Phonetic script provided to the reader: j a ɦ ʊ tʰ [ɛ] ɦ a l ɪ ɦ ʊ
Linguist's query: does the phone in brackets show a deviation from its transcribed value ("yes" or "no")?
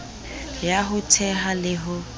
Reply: no